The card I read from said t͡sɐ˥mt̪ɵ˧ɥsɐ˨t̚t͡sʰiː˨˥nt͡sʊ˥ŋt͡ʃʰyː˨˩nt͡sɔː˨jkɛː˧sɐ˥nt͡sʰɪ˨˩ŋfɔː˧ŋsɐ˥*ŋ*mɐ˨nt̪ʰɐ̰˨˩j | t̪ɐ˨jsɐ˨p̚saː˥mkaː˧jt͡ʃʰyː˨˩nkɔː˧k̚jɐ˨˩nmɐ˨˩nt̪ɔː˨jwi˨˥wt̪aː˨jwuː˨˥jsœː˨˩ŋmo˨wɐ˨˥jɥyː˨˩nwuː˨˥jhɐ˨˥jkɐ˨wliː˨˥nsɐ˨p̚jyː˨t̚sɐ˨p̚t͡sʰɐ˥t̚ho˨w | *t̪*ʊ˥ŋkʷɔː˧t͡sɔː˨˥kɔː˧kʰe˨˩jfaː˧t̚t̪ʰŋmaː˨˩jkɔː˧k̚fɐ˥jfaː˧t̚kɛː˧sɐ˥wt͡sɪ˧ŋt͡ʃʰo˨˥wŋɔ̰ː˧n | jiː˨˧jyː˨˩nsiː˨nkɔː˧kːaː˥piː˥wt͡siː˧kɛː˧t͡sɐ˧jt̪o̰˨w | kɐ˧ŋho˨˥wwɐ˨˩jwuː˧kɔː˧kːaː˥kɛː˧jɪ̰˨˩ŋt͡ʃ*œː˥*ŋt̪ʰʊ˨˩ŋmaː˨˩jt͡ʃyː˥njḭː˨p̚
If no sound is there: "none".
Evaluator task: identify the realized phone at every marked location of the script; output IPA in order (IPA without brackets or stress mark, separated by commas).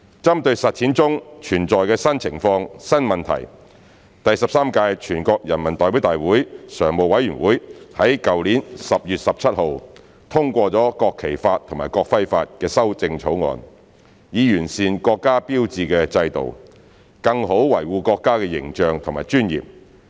n, t̪ʰ, œː˨